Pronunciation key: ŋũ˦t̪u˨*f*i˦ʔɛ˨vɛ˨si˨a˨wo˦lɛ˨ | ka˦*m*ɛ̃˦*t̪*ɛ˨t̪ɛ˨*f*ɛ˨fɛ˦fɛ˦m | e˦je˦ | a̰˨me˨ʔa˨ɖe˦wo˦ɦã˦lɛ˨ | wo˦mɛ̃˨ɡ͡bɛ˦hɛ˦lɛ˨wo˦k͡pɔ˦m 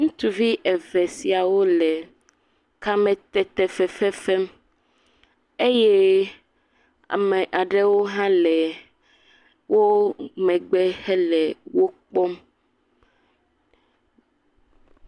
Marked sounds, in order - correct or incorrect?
incorrect, correct, correct, correct

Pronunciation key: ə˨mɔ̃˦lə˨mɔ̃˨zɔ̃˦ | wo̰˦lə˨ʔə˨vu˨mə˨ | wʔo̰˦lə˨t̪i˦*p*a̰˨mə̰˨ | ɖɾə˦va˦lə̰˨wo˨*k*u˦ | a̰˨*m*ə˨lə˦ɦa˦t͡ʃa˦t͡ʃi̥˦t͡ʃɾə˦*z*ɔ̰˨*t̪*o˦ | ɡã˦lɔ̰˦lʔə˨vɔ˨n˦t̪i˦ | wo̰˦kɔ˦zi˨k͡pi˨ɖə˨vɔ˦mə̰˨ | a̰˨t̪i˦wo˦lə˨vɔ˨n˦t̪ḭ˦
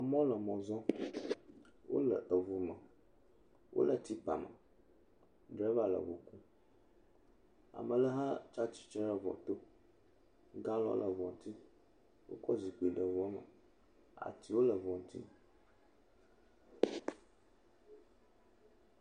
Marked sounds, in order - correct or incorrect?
correct, correct, correct, incorrect, correct

